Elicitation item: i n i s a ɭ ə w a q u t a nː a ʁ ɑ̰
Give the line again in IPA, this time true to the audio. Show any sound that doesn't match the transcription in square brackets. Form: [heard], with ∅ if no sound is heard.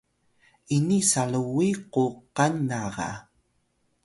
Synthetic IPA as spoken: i n i s a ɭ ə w [i] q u [q] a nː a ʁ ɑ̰